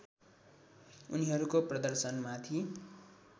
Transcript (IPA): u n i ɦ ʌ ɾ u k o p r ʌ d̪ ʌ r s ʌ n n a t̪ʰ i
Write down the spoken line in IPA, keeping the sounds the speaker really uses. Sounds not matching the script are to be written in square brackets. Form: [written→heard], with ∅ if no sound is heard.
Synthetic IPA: u n i ɦ ʌ ɾ u k o p r ʌ d̪ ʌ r s ʌ n [n→m] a t̪ʰ i